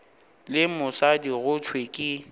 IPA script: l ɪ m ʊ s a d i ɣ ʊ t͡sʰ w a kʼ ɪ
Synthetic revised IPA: l ɪ m ʊ s a d i ɣ ʊ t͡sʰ w e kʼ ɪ